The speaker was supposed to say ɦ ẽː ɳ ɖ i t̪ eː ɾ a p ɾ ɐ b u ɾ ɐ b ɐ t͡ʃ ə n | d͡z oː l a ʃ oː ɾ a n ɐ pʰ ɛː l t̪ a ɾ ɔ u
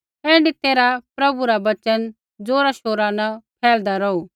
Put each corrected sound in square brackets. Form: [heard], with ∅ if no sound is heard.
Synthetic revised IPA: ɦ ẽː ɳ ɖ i t̪ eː ɾ a p ɾ ɐ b u ɾ [a] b ɐ t͡ʃ ə n | d͡z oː [ɾ] a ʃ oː ɾ a n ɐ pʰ ɛː l [d̪] a ɾ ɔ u